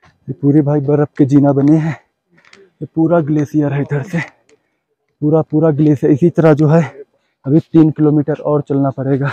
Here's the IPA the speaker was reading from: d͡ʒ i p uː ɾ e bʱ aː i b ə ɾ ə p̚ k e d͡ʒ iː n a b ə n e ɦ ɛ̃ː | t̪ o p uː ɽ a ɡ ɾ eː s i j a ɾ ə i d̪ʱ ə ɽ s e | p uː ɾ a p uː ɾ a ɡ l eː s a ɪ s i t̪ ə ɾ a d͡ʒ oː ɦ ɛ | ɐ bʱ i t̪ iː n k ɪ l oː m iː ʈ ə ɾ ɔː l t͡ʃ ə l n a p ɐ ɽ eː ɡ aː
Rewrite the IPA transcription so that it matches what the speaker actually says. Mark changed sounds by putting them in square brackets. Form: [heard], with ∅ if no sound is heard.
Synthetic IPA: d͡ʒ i p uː ɾ e bʱ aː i b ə ɾ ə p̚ k e d͡ʒ iː n a b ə n e ɦ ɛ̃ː | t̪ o p uː [ɾ] a ɡ [l] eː s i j a ɾ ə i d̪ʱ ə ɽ s e | p uː ɾ a p uː ɾ a ɡ l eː s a ɪ s i t̪ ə ɾ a d͡ʒ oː ɦ ɛ | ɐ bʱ i t̪ iː n k ɪ l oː m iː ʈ ə ɾ ɔː [ɾ] t͡ʃ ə l n a p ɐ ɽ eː ɡ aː